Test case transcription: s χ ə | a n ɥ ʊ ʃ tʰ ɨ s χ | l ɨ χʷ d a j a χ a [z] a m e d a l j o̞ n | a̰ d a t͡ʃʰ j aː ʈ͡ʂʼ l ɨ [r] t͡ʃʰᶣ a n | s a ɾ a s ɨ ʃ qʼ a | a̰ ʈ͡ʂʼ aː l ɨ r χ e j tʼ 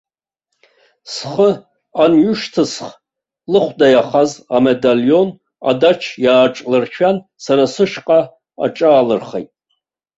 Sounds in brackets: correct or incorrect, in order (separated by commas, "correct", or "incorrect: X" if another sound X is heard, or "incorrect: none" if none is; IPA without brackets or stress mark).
correct, correct